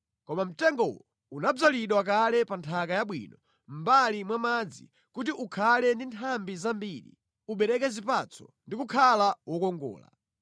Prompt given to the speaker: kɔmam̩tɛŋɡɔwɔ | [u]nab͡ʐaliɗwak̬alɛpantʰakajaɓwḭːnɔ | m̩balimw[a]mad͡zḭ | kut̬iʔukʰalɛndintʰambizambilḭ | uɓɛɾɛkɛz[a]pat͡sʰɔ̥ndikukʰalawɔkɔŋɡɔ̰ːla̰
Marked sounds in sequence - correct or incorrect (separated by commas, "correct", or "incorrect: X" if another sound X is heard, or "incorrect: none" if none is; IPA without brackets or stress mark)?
correct, correct, incorrect: i